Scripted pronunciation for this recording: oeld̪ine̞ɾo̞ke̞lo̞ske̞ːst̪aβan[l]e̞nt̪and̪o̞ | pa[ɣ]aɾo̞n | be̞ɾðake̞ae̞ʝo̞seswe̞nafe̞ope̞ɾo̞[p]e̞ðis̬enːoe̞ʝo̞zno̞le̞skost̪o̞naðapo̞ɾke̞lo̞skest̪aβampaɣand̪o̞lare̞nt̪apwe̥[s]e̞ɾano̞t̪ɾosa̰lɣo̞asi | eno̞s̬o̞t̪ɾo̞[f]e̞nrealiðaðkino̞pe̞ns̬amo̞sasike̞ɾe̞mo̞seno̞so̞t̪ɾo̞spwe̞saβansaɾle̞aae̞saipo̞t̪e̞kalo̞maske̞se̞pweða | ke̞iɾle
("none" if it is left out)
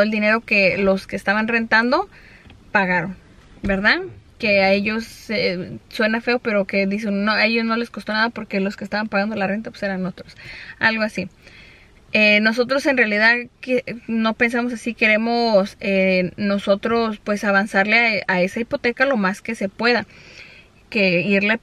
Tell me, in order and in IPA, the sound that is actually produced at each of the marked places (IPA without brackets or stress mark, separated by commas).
r, ɣ, k, s, s